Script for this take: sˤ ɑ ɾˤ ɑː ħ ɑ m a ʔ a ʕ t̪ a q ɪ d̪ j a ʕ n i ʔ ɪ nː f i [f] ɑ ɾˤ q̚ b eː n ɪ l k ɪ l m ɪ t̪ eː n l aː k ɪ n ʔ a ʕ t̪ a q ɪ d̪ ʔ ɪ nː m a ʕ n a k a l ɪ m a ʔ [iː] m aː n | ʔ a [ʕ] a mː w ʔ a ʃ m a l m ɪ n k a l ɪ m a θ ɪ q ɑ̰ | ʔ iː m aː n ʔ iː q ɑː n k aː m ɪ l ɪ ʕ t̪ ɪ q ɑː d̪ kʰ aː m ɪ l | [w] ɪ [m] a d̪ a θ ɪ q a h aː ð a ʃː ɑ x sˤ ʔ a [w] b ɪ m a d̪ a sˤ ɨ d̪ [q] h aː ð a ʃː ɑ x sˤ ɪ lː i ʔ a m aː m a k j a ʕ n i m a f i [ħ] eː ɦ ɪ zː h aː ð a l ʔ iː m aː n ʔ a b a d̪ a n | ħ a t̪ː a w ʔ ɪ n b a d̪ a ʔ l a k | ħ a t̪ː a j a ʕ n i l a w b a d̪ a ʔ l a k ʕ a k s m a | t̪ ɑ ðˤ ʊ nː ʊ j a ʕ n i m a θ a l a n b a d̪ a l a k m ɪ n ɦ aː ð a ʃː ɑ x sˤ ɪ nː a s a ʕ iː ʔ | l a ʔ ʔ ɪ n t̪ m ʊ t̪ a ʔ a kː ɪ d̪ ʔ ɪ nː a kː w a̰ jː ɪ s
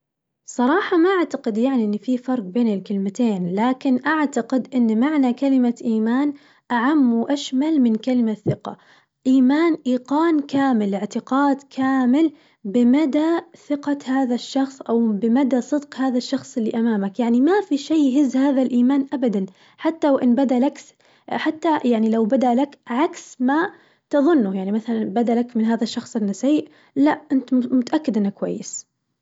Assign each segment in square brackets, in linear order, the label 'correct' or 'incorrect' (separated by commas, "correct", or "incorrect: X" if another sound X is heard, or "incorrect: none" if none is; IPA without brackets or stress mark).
correct, correct, correct, incorrect: b, correct, correct, correct, incorrect: ʃ